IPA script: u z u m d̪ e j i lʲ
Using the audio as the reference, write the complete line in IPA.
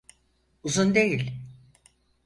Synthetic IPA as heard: u z u n d̪ e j i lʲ